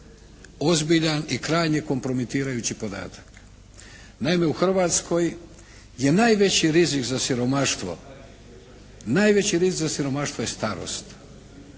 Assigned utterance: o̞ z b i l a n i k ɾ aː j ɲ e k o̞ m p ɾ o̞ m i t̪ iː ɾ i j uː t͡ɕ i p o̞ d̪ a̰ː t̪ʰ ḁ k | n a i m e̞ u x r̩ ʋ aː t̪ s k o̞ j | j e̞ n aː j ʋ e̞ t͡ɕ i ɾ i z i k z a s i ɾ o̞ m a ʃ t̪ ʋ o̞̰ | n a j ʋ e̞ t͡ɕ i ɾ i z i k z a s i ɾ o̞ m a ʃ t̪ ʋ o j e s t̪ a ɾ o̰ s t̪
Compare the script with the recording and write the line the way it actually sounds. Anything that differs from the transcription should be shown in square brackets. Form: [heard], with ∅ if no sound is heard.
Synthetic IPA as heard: o̞ z b i [ʎ] a n i k ɾ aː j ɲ e k o̞ m p ɾ o̞ m i t̪ iː ɾ [a] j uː t͡ɕ i p o̞ d̪ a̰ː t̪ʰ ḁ k | n a i m e̞ u x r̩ ʋ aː t̪ s k o̞ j | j e̞ n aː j ʋ e̞ t͡ɕ i ɾ i z i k z a s i ɾ o̞ m a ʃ t̪ ʋ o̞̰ | n a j ʋ e̞ t͡ɕ i ɾ i z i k z a s i ɾ o̞ m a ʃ t̪ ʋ o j e s t̪ a ɾ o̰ s t̪

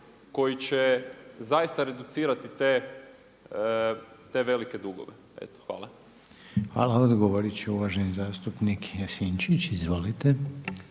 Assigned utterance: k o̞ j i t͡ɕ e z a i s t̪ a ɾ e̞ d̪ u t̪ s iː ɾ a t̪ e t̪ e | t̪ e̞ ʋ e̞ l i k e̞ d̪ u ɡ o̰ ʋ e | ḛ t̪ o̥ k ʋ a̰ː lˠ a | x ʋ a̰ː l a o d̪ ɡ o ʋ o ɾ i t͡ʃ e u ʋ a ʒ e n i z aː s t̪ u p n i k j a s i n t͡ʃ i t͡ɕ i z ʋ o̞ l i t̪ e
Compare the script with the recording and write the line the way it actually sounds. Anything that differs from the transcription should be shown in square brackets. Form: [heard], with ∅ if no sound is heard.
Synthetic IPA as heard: k o̞ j i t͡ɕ e z a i s t̪ a ɾ e̞ d̪ u t̪ s iː ɾ a t̪ [i] t̪ e | t̪ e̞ ʋ e̞ l i k e̞ d̪ u ɡ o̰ ʋ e | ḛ t̪ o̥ [x] ʋ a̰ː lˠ a | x ʋ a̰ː l a o d̪ ɡ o ʋ o ɾ i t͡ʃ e u ʋ a ʒ e n i z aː s t̪ u p n i k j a s i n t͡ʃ i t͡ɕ i z ʋ o̞ l i t̪ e

